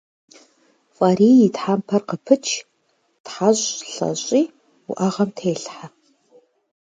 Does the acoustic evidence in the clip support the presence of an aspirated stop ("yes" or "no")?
yes